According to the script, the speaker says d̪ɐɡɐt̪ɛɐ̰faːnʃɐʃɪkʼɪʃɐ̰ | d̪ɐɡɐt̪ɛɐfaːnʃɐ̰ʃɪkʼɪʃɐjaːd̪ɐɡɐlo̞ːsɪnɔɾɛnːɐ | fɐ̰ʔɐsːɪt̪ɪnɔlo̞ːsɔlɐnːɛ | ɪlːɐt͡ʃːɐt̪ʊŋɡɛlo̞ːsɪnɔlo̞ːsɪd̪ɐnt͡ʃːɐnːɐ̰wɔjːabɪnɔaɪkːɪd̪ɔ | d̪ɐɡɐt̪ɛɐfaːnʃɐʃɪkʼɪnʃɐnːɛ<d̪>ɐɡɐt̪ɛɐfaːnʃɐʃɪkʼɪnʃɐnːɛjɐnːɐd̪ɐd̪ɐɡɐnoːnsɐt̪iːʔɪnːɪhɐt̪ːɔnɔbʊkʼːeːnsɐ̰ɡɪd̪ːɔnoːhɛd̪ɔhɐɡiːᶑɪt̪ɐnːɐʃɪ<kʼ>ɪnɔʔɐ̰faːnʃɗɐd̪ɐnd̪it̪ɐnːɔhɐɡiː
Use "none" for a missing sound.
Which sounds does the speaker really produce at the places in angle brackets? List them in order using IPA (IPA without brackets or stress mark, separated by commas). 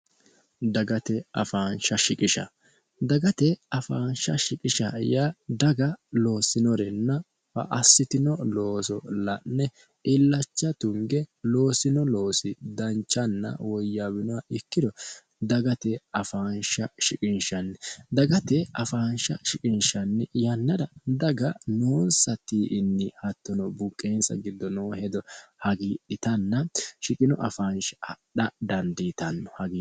d̪, kʼ